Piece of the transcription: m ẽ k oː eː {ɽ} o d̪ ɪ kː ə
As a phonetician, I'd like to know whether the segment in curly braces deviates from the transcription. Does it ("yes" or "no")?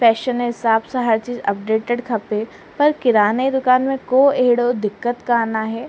no